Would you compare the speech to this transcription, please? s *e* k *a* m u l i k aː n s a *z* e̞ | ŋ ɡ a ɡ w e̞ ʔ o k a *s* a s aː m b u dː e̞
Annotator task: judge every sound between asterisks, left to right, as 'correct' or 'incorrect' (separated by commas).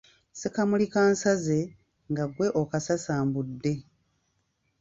correct, correct, correct, correct